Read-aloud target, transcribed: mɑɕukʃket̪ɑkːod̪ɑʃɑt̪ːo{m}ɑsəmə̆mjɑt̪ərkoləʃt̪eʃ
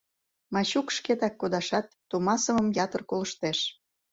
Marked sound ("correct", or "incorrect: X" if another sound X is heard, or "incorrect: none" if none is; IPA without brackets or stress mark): correct